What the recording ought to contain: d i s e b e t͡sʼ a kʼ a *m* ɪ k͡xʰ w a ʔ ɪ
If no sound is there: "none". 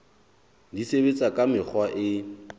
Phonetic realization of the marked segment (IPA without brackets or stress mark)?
m